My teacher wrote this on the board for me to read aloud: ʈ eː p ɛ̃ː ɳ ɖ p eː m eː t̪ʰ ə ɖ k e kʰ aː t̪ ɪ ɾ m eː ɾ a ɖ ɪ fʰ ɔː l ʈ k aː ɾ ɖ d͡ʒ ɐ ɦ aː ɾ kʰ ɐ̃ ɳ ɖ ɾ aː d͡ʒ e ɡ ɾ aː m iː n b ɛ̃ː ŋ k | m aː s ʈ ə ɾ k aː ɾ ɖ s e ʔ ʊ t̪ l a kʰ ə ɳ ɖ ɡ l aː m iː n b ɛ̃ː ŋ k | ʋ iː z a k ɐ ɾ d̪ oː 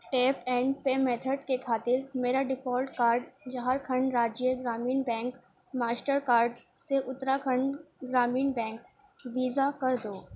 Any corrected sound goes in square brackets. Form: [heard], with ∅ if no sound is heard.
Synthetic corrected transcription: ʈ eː p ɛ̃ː ɳ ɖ p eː m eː t̪ʰ ə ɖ k e kʰ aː t̪ ɪ ɾ m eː ɾ a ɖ ɪ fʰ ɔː l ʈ k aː ɾ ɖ d͡ʒ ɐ ɦ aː ɾ kʰ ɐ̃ ɳ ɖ ɾ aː d͡ʒ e ɡ ɾ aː m iː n b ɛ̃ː ŋ k | m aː s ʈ ə ɾ k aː ɾ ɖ s e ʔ ʊ t̪ [ɾ] a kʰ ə ɳ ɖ ɡ [ɾ] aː m iː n b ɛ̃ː ŋ k | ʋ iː z a k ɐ ɾ d̪ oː

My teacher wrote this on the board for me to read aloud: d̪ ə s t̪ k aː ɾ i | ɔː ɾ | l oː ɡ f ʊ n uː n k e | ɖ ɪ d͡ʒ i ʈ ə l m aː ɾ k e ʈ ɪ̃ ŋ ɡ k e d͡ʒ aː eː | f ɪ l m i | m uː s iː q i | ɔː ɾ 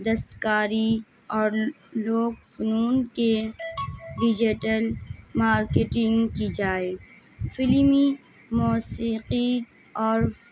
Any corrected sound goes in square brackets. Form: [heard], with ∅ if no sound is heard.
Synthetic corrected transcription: d̪ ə s t̪ k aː ɾ i | ɔː ɾ | l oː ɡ f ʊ n uː n k e | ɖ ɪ d͡ʒ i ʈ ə l m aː ɾ k e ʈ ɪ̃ ŋ ɡ k [i] d͡ʒ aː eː | f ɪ l m i | m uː s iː q i | ɔː ɾ

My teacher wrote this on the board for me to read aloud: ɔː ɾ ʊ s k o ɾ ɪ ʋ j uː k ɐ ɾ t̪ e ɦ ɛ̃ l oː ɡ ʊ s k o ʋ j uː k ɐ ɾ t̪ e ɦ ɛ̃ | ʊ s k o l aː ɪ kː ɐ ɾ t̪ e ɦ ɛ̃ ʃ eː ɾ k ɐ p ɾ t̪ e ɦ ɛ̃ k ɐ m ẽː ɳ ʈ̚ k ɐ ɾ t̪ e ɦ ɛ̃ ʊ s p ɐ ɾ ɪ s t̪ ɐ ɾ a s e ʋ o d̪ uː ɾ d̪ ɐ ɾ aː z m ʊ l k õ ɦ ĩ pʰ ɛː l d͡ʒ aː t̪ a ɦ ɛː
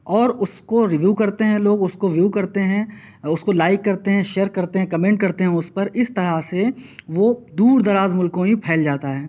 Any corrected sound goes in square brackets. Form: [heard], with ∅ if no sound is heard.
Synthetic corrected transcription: ɔː ɾ ʊ s k o ɾ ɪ ʋ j uː k ɐ ɾ t̪ e ɦ ɛ̃ l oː ɡ ʊ s k o ʋ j uː k ɐ ɾ t̪ e ɦ ɛ̃ | ʊ s k o l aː ɪ kː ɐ ɾ t̪ e ɦ ɛ̃ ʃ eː ɾ k ɐ [∅] ɾ t̪ e ɦ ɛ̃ k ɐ m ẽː ɳ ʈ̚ k ɐ ɾ t̪ e ɦ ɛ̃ ʊ s p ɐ ɾ ɪ s t̪ ɐ ɾ a s e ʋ o d̪ uː ɾ d̪ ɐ ɾ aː z m ʊ l k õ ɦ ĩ pʰ ɛː l d͡ʒ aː t̪ a ɦ ɛː

